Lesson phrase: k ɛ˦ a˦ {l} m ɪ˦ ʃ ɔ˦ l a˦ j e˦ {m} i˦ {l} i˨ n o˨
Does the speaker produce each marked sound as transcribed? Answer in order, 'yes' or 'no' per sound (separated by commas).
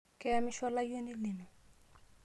no, no, yes